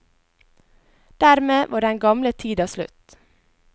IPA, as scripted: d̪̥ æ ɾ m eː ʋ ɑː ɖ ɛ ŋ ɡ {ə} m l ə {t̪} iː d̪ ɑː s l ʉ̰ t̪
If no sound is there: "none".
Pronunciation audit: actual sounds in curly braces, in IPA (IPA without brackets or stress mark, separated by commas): ɑ, t̪ʰ